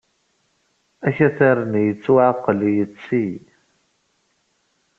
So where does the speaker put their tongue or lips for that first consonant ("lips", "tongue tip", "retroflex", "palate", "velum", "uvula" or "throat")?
palate